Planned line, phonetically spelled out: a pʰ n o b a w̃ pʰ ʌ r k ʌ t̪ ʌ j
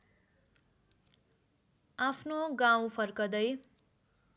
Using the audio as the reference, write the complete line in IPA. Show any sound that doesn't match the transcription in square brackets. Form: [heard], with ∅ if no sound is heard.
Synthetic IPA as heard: a pʰ n o [ɡ] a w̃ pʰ ʌ r k ʌ [d̪] ʌ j